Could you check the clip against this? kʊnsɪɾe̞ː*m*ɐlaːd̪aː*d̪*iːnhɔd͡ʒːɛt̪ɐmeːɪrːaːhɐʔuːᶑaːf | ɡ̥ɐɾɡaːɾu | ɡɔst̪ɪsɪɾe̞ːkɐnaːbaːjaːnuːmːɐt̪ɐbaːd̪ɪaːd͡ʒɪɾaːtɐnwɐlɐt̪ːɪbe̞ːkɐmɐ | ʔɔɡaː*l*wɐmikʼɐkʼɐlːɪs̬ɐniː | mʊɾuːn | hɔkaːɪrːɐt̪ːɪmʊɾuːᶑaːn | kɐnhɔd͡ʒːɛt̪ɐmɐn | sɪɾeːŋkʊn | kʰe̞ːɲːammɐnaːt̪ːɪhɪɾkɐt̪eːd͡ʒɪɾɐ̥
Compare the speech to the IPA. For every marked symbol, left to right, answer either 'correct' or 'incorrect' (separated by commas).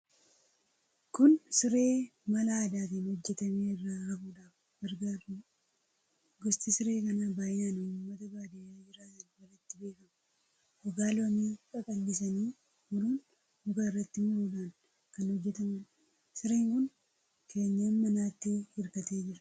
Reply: correct, incorrect, correct